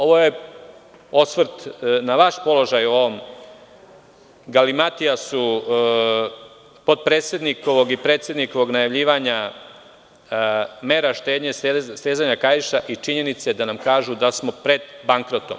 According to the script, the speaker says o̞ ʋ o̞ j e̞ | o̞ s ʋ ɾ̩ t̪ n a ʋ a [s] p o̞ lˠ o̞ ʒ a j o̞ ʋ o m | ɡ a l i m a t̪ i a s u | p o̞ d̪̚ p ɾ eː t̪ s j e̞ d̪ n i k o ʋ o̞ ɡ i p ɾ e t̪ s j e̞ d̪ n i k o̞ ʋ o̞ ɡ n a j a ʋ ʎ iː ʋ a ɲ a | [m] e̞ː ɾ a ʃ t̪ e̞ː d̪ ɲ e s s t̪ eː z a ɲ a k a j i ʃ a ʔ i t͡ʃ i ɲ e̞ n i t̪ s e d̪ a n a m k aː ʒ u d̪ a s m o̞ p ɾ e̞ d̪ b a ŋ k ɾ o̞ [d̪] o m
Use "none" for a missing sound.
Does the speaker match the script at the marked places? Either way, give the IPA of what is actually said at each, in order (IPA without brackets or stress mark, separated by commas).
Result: ʃ, m, t̪